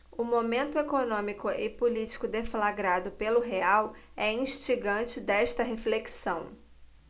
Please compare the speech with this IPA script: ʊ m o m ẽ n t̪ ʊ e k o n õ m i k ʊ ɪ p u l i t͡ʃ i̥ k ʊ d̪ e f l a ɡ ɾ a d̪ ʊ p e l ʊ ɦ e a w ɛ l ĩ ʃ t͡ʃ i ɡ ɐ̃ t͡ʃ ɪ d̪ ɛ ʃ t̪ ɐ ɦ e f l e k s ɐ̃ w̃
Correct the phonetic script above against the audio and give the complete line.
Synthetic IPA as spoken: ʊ m o m ẽ n t̪ ʊ e k o n õ m i k ʊ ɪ p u l i t͡ʃ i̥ k ʊ d̪ e f l a ɡ ɾ a d̪ ʊ p e l ʊ ɦ e a w ɛ ĩ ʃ t͡ʃ i ɡ ɐ̃ t͡ʃ ɪ d̪ ɛ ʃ t̪ ɐ ɦ e f l e k s ɐ̃ w̃